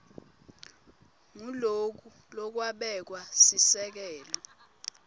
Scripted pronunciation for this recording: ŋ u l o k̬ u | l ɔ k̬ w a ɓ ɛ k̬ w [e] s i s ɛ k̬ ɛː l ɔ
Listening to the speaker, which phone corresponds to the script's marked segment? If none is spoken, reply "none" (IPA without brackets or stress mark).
a